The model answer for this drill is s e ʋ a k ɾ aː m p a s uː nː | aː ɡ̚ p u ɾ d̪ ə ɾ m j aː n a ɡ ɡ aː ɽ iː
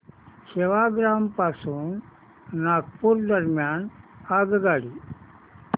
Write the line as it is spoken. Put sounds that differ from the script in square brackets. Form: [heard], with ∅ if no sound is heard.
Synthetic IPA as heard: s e ʋ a [ɡ] ɾ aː m p a s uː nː | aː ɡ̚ p u ɾ d̪ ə ɾ m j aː n a ɡ ɡ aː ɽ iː